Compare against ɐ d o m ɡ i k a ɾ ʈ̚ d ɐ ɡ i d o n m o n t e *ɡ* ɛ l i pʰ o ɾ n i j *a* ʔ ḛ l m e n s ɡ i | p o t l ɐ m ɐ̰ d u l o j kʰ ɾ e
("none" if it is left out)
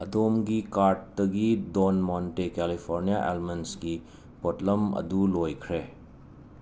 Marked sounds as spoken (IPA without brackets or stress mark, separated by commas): k, a